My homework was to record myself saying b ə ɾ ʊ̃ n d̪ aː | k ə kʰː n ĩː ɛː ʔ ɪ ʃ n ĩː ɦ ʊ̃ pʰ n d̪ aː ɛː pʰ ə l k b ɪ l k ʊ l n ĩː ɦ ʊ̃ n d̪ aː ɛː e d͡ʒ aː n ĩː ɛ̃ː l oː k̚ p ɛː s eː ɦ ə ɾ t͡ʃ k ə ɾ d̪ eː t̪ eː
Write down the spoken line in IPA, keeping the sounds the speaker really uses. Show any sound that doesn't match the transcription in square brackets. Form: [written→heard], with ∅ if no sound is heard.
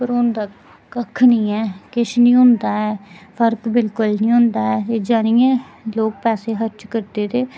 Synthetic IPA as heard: [b→p] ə ɾ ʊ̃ n d̪ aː | k ə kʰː n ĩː ɛː [ʔ→k] ɪ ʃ n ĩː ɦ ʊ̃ [pʰ→∅] n d̪ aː ɛː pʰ ə [l→ɾ] k b ɪ l k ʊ l n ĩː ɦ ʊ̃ n d̪ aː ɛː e d͡ʒ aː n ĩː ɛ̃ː l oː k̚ p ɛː s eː ɦ ə ɾ t͡ʃ k ə ɾ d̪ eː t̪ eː